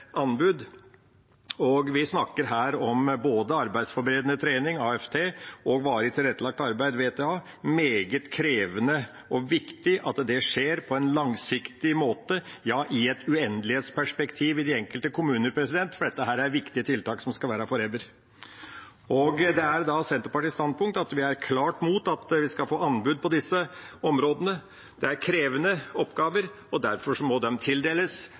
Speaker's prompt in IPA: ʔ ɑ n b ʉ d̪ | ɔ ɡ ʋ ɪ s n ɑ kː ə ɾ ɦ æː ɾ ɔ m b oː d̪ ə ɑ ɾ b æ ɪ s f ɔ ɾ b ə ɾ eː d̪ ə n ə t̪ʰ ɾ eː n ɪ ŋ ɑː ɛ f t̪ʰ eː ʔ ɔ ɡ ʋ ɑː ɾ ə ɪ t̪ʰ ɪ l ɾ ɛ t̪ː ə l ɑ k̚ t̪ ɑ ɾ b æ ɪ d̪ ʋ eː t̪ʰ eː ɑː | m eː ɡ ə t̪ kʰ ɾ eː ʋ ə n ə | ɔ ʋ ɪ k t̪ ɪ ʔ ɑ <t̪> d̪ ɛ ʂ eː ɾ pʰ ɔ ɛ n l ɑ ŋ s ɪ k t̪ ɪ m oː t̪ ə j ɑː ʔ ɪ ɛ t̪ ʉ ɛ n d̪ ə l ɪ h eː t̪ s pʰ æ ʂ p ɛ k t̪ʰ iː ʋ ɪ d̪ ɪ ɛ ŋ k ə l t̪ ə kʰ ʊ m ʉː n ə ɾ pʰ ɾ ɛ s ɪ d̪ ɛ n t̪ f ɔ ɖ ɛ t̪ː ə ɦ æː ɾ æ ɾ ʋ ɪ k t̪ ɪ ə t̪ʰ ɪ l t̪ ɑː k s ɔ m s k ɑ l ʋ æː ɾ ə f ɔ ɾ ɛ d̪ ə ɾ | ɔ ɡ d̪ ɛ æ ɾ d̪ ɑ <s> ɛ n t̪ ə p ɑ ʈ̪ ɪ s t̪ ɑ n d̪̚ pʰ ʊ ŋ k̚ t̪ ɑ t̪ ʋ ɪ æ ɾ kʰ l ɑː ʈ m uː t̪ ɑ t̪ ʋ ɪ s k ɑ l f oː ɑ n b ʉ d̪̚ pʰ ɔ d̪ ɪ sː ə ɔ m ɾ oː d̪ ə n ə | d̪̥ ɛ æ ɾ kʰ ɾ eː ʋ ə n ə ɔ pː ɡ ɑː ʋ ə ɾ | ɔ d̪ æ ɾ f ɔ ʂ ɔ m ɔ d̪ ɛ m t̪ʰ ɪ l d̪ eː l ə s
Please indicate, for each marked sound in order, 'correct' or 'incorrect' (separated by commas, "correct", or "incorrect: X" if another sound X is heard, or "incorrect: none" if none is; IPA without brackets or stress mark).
correct, correct